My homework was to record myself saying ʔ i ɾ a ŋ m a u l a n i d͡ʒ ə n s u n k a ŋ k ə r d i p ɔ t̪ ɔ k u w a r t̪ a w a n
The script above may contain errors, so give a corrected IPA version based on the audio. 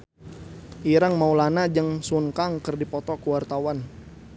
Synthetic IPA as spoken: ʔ i ɾ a ŋ m a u l a n a d͡ʒ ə ŋ s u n k a ŋ k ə r d i p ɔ t̪ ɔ k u w a r t̪ a w a n